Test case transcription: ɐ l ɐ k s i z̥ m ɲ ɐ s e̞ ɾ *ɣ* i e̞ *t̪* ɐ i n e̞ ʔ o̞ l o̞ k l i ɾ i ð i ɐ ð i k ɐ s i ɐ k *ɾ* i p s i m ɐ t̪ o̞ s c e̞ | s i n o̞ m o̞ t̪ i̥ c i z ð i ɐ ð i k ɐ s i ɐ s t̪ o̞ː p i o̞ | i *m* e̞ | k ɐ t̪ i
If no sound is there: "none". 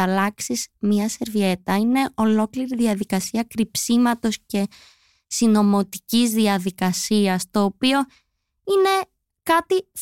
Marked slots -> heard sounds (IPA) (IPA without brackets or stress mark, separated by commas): v, t̪, ɾ, n